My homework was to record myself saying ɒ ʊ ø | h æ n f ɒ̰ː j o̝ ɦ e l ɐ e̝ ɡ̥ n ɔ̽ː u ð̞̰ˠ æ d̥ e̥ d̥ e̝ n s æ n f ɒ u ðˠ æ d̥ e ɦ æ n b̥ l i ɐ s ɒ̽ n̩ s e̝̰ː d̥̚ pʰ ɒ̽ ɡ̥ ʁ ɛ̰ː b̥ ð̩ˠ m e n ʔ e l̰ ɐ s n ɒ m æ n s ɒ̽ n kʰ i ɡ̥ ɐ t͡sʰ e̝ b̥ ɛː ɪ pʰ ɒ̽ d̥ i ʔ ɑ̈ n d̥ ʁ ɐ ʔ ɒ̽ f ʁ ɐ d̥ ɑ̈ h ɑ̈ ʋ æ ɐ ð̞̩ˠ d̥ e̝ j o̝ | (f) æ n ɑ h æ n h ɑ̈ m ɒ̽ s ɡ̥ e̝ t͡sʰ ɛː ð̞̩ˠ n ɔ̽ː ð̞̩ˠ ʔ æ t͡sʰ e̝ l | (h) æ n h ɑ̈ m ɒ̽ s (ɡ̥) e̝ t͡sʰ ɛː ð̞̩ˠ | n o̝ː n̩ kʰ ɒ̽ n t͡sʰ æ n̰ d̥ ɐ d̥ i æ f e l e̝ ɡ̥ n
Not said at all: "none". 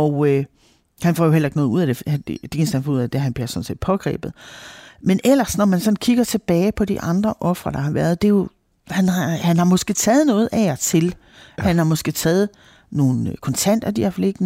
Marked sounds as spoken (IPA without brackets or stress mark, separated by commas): h, h, ɡ̥